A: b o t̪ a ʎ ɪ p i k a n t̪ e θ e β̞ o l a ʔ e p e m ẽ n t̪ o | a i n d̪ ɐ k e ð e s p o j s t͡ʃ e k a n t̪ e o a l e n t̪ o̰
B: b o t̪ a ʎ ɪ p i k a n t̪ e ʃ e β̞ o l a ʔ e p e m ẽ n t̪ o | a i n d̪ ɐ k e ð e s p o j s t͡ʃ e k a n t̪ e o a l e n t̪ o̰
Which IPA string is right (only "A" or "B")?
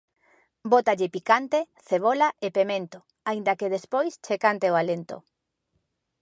A